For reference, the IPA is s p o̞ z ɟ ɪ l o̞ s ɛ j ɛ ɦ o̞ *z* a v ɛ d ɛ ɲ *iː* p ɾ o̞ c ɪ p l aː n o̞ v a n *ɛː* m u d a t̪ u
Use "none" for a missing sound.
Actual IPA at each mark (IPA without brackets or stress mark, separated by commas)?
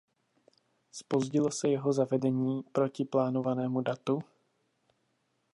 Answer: z, iː, ɛː